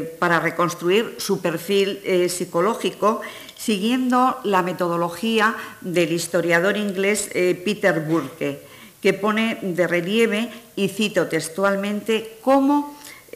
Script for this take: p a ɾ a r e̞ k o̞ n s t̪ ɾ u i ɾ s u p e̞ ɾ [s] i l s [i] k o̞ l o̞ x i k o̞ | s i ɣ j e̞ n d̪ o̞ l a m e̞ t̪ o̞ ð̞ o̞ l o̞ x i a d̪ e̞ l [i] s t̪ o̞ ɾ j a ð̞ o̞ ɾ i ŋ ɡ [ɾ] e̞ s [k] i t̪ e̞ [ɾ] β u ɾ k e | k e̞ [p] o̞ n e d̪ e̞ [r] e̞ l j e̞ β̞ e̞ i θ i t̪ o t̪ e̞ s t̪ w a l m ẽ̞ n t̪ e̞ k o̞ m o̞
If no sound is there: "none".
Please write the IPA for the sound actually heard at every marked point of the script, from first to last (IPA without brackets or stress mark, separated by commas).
f, i, i, l, p, ɾ, p, r